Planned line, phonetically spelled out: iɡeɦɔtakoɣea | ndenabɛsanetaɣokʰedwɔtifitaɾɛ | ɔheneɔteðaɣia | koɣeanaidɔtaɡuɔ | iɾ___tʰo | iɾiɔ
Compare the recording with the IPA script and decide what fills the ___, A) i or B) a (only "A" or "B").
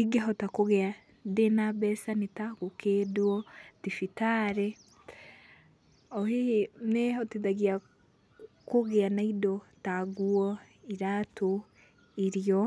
B